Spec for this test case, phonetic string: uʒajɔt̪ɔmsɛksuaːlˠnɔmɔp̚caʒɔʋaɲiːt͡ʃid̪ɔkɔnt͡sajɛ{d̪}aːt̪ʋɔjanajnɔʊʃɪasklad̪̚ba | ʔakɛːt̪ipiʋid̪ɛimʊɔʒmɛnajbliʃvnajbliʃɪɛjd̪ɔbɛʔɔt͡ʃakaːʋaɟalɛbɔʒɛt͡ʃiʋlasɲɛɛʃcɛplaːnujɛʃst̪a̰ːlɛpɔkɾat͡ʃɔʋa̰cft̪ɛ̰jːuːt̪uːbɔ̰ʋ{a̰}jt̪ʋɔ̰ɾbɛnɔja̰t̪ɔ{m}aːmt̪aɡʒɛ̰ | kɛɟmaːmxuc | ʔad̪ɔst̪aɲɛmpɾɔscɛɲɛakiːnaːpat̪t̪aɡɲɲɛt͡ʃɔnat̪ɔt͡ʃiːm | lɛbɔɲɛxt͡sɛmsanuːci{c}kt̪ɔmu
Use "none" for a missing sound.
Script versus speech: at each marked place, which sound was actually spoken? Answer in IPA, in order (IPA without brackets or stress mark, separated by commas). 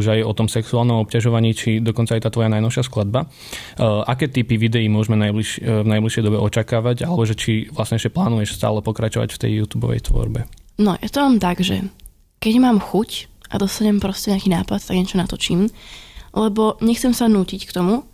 t̪, ɛ̰, m, c